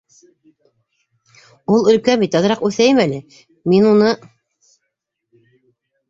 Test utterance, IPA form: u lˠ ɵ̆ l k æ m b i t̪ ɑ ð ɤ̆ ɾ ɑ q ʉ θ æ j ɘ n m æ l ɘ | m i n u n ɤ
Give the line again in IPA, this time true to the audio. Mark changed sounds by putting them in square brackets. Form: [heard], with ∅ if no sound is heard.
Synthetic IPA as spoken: u lˠ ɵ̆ l k æ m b i t̪ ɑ ð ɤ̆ ɾ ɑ q ʉ θ æ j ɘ [∅] m æ l ɘ | m i n u n ɤ